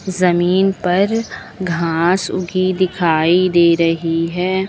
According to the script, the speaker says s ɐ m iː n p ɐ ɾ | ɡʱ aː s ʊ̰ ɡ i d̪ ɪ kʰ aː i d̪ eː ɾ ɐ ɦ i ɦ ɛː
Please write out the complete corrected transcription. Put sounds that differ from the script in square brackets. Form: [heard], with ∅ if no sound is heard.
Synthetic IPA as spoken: [z] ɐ m iː n p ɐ ɾ | ɡʱ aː s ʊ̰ ɡ i d̪ ɪ kʰ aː i d̪ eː ɾ ɐ ɦ i ɦ ɛː